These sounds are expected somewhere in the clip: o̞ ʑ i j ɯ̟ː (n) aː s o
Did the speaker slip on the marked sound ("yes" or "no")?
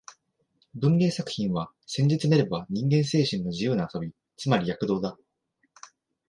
no